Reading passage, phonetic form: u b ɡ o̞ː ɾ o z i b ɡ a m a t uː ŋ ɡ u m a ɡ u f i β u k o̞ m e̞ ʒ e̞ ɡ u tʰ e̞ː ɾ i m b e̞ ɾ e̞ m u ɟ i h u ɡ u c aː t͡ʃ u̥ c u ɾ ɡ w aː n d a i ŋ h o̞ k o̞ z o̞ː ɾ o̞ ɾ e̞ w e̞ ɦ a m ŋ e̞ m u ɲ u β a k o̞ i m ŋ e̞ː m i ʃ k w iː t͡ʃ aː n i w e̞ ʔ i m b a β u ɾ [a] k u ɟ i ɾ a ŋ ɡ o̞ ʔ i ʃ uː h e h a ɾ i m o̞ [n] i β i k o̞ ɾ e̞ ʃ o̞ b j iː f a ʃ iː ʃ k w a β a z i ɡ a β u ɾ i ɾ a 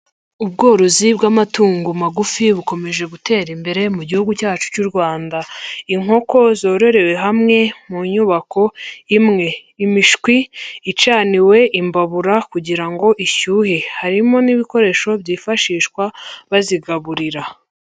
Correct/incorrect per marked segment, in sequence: correct, correct

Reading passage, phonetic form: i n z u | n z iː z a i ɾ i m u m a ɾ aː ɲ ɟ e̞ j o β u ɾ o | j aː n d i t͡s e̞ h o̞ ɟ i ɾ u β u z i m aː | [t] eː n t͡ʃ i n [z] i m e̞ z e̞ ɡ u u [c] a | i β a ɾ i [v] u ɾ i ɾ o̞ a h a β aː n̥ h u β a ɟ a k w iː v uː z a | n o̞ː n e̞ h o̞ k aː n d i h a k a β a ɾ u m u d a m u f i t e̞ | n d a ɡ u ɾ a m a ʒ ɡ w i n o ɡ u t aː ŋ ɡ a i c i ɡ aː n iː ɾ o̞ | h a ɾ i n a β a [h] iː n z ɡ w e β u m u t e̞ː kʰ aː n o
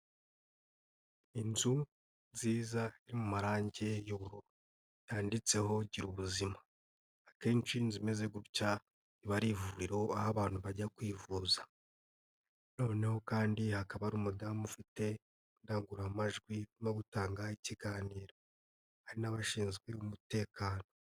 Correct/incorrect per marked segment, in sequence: incorrect, correct, correct, correct, incorrect

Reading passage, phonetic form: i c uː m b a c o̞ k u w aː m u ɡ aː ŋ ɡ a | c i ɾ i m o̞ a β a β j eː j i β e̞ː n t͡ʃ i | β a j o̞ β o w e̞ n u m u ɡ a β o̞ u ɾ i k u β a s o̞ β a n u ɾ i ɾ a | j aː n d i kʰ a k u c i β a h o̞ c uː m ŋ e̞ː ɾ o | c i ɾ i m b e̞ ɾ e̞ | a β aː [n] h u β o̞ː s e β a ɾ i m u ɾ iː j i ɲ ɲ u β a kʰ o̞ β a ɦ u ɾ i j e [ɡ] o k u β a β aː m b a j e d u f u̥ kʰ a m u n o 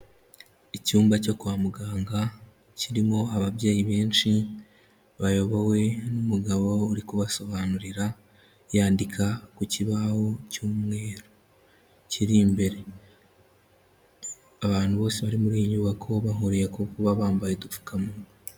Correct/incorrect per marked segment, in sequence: correct, incorrect

